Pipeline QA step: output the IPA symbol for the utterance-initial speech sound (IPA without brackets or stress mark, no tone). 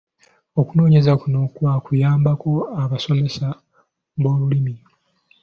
o̞